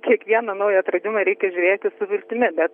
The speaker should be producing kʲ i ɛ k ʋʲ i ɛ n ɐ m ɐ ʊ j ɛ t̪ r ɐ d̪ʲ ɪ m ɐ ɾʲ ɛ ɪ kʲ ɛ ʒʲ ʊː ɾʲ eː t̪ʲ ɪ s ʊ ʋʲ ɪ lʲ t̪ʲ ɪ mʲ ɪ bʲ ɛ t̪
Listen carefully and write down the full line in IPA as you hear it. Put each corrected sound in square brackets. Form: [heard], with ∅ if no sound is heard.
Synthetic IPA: kʲ i ɛ k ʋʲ i ɛ n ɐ [n] ɐ ʊ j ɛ t̪ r ɐ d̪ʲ ɪ m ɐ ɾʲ ɛ ɪ kʲ ɛ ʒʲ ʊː ɾʲ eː t̪ʲ ɪ s ʊ ʋʲ ɪ lʲ t̪ʲ ɪ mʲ ɪ bʲ ɛ t̪

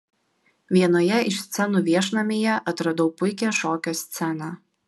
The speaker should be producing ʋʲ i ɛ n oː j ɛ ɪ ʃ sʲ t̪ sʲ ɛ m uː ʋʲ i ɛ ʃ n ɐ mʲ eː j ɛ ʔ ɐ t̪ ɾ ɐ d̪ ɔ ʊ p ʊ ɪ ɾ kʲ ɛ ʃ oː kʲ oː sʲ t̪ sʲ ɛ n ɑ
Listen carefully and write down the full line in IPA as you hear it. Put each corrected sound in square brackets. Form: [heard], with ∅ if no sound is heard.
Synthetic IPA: ʋʲ i ɛ n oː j ɛ ɪ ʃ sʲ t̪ sʲ ɛ [n] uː ʋʲ i ɛ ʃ n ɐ mʲ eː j ɛ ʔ ɐ t̪ ɾ ɐ d̪ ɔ ʊ p ʊ ɪ [∅] kʲ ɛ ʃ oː kʲ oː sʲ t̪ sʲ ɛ n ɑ

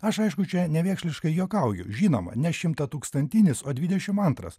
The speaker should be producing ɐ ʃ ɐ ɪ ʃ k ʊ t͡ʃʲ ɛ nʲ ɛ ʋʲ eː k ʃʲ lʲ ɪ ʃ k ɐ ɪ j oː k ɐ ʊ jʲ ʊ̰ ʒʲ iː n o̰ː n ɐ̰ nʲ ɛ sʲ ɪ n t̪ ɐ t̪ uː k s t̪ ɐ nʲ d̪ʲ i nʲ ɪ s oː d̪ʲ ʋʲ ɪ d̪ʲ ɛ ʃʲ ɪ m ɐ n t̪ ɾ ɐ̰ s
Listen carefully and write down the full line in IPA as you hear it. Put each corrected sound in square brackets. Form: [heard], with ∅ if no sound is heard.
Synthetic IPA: ɐ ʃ ɐ ɪ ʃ k ʊ t͡ʃʲ ɛ nʲ ɛ ʋʲ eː k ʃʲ lʲ ɪ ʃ k ɐ ɪ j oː k ɐ ʊ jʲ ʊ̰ ʒʲ iː n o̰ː [m] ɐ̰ nʲ ɛ [ʃʲ] ɪ [m] t̪ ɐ t̪ uː k s t̪ ɐ nʲ [t̪ʲ] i nʲ ɪ s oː d̪ʲ ʋʲ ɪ d̪ʲ ɛ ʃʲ ɪ m ɐ n t̪ ɾ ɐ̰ s

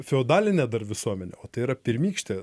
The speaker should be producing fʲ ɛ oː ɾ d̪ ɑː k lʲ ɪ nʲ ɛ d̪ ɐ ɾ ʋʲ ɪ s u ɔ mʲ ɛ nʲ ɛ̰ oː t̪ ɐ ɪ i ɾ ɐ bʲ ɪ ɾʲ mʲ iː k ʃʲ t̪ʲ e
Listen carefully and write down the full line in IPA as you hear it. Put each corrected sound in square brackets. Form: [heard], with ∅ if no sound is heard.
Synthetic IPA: fʲ ɛ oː [∅] d̪ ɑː [∅] lʲ ɪ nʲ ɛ d̪ ɐ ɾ ʋʲ ɪ s u ɔ mʲ ɛ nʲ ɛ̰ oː t̪ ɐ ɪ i ɾ ɐ [pʲ] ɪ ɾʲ mʲ iː k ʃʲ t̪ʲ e

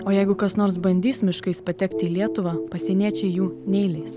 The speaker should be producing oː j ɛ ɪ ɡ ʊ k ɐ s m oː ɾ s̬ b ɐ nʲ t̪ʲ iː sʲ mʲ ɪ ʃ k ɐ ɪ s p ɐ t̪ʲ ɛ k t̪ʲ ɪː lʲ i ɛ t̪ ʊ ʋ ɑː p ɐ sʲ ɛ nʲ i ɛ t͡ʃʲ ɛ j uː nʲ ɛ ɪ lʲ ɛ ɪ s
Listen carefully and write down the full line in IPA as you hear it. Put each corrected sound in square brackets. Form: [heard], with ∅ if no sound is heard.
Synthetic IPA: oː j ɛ ɪ ɡ ʊ k ɐ s [n] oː ɾ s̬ b ɐ nʲ [d̪ʲ] iː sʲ mʲ ɪ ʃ k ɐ ɪ s p ɐ t̪ʲ ɛ k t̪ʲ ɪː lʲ i ɛ t̪ ʊ ʋ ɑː p ɐ sʲ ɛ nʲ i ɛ t͡ʃʲ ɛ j uː nʲ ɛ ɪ lʲ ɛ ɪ s

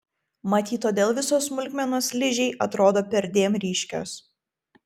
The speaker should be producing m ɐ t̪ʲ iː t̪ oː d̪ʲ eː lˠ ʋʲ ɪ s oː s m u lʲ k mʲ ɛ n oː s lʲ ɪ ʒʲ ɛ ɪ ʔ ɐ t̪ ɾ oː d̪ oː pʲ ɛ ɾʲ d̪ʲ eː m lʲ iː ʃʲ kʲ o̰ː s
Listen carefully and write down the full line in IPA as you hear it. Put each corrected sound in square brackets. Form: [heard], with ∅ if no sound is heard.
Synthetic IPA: m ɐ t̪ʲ iː t̪ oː d̪ʲ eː lˠ ʋʲ ɪ s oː s m [ʊ] lʲ k mʲ ɛ n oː s lʲ ɪ ʒʲ ɛ ɪ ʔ ɐ t̪ ɾ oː d̪ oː pʲ ɛ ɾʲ d̪ʲ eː m [ɾʲ] iː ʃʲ kʲ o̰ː s

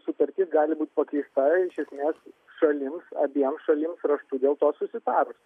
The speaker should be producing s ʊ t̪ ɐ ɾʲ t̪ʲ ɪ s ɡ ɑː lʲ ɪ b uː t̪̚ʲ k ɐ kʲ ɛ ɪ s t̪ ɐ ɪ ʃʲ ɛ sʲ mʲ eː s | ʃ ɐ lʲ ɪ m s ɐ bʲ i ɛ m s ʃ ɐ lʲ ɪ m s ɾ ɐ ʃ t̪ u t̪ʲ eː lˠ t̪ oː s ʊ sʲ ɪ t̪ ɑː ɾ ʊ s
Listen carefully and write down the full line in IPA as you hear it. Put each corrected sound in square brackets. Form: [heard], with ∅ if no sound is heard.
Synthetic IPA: s ʊ t̪ ɐ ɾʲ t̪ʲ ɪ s ɡ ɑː lʲ ɪ b uː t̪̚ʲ [p] ɐ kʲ ɛ ɪ s t̪ ɐ ɪ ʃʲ ɛ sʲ mʲ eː s | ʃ ɐ lʲ ɪ m s ɐ bʲ i ɛ m s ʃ ɐ lʲ ɪ m s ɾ ɐ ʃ t̪ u [d̪ʲ] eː lˠ t̪ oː s ʊ sʲ ɪ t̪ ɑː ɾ ʊ s

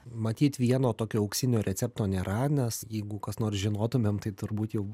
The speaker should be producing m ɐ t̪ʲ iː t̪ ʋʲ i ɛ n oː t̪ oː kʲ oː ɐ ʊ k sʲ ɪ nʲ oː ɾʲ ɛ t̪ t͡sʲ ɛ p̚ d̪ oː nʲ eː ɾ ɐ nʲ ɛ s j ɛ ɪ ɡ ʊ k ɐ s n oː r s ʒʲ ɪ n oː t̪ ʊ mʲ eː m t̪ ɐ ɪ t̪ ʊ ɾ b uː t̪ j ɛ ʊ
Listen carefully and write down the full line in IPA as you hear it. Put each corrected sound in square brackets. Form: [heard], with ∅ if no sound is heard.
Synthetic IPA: m ɐ t̪ʲ iː t̪ ʋʲ i ɛ n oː t̪ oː kʲ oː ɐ ʊ k sʲ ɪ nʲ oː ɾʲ ɛ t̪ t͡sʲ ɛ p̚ [t̪] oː nʲ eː ɾ ɐ nʲ ɛ s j ɛ ɪ ɡ ʊ k ɐ s n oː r s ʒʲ ɪ n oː t̪ ʊ mʲ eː m t̪ ɐ ɪ t̪ ʊ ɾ b uː t̪ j ɛ ʊ

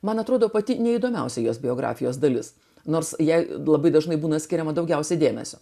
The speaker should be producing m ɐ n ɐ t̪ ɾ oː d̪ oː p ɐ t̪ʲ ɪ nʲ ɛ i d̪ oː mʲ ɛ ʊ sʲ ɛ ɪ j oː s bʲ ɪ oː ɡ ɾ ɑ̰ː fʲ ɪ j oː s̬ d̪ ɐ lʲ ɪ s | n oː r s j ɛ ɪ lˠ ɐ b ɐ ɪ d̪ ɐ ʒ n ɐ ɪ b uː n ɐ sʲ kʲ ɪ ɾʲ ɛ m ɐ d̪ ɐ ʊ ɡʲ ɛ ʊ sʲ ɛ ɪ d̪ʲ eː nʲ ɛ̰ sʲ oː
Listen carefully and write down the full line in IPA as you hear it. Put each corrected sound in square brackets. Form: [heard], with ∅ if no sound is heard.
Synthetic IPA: m ɐ n ɐ t̪ ɾ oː d̪ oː p ɐ t̪ʲ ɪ nʲ ɛ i d̪ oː mʲ ɛ ʊ sʲ ɛ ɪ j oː s bʲ ɪ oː ɡ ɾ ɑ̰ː fʲ ɪ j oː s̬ d̪ ɐ lʲ ɪ s | n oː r s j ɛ ɪ lˠ ɐ b ɐ ɪ d̪ ɐ ʒ n ɐ ɪ b uː n ɐ sʲ kʲ ɪ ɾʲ ɛ m ɐ d̪ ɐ ʊ ɡʲ ɛ ʊ sʲ ɛ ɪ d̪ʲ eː [mʲ] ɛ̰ sʲ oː

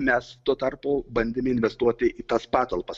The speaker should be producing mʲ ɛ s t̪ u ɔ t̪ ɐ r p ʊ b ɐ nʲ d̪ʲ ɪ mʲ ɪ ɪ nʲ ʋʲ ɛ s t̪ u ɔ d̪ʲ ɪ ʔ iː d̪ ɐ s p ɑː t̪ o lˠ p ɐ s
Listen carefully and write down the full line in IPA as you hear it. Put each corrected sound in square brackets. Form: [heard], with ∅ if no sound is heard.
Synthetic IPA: mʲ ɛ s t̪ u ɔ t̪ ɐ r p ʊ b ɐ nʲ d̪ʲ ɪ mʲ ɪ ɪ nʲ ʋʲ ɛ s t̪ u ɔ [t̪ʲ] ɪ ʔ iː [t̪] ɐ s p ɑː t̪ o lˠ p ɐ s

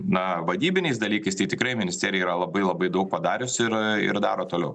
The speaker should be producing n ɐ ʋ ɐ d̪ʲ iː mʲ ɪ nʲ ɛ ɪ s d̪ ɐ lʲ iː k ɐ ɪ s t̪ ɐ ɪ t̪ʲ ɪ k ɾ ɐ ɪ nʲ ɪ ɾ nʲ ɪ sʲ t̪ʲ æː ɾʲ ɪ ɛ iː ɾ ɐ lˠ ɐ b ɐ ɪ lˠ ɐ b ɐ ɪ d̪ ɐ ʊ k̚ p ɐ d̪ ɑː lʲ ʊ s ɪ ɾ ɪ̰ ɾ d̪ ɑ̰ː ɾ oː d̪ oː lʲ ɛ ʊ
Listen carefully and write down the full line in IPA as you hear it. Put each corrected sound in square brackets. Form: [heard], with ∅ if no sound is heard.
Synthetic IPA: n ɐ ʋ ɐ d̪ʲ iː [bʲ] ɪ nʲ ɛ ɪ s d̪ ɐ lʲ iː k ɐ ɪ s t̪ ɐ ɪ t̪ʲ ɪ k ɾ ɐ ɪ [mʲ] ɪ [∅] nʲ ɪ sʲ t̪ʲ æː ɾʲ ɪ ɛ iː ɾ ɐ lˠ ɐ b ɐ ɪ lˠ ɐ b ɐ ɪ d̪ ɐ ʊ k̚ p ɐ d̪ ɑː [ɾʲ] ʊ s ɪ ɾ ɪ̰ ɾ d̪ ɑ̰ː ɾ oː [t̪] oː lʲ ɛ ʊ

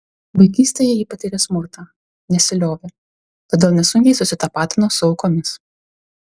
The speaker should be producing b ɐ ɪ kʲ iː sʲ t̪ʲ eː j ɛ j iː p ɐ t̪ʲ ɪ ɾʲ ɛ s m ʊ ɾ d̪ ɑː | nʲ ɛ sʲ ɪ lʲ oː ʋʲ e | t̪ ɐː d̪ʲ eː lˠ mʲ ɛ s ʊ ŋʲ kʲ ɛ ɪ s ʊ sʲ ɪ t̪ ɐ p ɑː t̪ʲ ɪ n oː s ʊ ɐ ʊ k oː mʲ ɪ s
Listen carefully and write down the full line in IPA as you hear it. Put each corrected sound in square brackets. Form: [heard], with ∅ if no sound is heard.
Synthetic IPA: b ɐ ɪ kʲ iː sʲ t̪ʲ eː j ɛ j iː p ɐ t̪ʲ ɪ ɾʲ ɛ s m ʊ ɾ [t̪] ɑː | nʲ ɛ sʲ ɪ lʲ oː ʋʲ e | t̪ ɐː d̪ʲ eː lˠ [nʲ] ɛ s ʊ ŋʲ kʲ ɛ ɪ s ʊ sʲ ɪ t̪ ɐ p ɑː t̪ʲ ɪ n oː s ʊ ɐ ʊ k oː mʲ ɪ s

